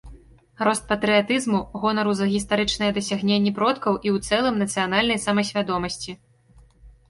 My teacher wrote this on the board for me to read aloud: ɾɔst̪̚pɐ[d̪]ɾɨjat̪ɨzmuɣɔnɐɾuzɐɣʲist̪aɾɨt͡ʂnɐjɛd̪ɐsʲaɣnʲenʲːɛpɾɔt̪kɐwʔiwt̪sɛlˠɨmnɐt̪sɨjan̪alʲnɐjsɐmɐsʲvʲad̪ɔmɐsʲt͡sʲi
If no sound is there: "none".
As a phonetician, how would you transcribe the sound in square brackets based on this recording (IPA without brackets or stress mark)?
t̪